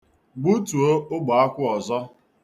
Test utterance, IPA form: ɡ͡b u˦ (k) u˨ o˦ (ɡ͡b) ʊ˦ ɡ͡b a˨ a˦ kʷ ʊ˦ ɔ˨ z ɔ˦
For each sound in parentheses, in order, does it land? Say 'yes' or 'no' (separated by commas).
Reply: no, no